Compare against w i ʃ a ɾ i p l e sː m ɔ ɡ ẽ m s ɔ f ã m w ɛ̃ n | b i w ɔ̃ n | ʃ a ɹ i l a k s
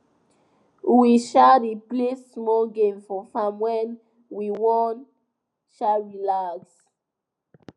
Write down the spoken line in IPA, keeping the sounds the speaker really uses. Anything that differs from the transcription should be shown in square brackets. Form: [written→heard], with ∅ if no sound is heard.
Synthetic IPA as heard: w i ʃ a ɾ i p l e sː m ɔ ɡ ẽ m [s→f] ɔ f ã m w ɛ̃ n | [b→w] i w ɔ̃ n | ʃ a ɹ i l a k s

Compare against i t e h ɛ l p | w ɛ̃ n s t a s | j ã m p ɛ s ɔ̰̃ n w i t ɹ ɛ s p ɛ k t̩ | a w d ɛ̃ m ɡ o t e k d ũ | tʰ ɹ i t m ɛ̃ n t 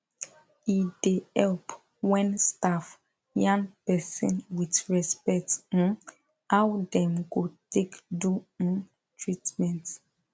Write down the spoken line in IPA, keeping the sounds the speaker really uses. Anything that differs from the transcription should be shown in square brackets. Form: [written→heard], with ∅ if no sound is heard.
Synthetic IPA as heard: i [t→d] e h ɛ l p | w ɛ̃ n s t a [s→f] | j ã [m→ŋ] p ɛ s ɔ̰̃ n w i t ɹ ɛ s p ɛ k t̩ | a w d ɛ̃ m ɡ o t e k d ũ | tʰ ɹ i t m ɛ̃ n t

